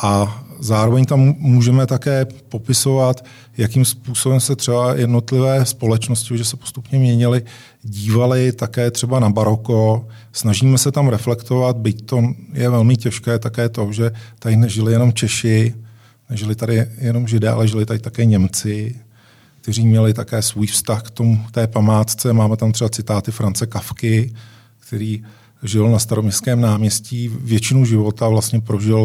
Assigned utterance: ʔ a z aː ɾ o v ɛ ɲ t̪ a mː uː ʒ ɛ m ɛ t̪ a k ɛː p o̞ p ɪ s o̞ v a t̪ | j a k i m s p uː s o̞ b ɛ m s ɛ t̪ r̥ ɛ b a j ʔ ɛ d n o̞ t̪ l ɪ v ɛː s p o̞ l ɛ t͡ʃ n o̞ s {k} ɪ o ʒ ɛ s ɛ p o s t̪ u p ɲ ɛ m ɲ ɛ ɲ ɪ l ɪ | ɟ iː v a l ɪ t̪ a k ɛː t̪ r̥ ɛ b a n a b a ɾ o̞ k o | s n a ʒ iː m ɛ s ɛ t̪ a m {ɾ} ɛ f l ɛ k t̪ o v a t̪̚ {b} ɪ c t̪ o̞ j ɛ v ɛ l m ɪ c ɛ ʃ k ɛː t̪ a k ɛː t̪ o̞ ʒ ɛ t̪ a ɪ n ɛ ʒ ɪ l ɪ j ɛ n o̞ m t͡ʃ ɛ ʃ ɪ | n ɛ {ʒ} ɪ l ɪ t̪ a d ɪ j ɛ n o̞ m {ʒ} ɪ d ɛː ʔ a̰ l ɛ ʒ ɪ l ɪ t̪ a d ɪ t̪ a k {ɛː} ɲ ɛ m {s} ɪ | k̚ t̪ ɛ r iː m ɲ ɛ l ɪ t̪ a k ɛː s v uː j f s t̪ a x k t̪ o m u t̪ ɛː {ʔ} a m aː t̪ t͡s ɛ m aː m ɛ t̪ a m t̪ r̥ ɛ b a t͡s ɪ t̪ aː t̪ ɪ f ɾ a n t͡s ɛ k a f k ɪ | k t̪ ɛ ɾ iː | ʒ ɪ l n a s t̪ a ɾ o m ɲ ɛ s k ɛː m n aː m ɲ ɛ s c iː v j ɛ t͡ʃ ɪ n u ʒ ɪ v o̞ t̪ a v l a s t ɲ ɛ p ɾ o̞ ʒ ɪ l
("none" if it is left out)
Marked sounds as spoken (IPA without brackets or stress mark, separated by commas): c, ɾ, b, ʒ, ʒ, ɛː, t͡s, p